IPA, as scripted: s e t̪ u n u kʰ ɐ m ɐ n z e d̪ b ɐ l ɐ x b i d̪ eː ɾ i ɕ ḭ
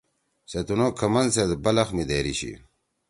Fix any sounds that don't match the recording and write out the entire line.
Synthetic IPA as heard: s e t̪ u n o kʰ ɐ m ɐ n s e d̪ b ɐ l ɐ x m i d̪ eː ɾ i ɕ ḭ

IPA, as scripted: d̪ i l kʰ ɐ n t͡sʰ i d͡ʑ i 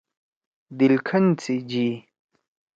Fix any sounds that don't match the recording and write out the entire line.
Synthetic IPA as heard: d̪ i l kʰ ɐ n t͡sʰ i d͡ʑ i

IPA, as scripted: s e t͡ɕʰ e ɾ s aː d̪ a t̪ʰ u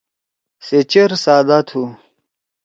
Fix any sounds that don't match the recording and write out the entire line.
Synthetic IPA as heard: s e t͡ɕ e ɾ s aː d̪ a t̪ʰ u

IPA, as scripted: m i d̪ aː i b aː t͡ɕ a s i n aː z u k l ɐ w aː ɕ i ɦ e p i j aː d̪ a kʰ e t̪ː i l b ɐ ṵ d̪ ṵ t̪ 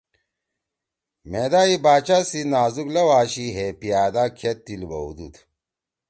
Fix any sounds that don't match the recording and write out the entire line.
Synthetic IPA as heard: m e d̪ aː i b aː t͡ɕ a s i n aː z u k l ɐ w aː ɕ i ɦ e p i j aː d̪ a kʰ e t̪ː i l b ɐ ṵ d̪ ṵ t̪

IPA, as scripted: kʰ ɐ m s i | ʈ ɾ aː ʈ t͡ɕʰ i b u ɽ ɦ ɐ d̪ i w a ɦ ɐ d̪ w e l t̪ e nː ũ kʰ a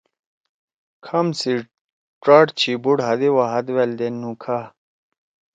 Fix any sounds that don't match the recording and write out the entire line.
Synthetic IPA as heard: kʰ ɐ m s i | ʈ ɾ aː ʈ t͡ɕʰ i b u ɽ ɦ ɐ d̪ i w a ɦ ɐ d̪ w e l d̪ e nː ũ kʰ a

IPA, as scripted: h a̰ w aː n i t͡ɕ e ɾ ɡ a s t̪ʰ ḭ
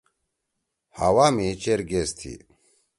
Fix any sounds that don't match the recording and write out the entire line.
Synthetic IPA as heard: h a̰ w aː m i t͡ɕ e ɾ ɡ e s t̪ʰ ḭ

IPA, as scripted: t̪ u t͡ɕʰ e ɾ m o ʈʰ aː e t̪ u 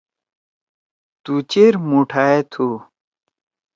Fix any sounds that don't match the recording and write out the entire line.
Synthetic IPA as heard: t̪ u t͡ɕ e ɾ m u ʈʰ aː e t̪ʰ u

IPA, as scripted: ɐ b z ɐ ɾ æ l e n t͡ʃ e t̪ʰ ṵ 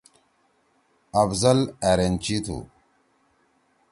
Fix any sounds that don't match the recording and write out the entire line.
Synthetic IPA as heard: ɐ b z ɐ l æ ɾ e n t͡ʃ i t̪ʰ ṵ

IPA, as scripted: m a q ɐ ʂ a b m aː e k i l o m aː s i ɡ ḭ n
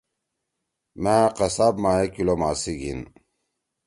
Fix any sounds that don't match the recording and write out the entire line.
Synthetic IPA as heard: m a q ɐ s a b m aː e k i l o m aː s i ɡ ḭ n

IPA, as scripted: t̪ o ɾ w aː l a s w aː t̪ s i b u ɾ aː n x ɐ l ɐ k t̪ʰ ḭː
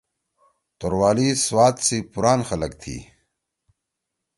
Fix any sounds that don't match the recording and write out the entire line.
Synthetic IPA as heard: t̪ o ɾ w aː l i s w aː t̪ s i p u ɾ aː n x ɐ l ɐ k t̪ʰ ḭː

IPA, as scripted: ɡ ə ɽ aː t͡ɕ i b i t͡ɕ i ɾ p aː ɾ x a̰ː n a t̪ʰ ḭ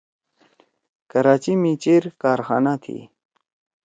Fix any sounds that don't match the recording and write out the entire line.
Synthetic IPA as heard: k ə ɾ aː t͡ɕ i m i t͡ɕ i ɾ k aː ɾ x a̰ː n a t̪ʰ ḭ

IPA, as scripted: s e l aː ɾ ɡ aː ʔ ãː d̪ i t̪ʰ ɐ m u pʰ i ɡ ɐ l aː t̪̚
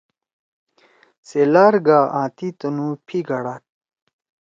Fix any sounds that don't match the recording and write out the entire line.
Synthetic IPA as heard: s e l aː ɾ ɡ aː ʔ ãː t̪ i t̪ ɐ n u pʰ i ɡ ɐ ɽ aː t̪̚

